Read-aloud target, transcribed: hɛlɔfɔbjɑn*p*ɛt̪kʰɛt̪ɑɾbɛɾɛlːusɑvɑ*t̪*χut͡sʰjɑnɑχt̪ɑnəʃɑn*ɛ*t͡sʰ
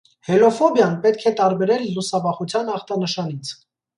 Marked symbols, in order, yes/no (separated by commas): yes, no, no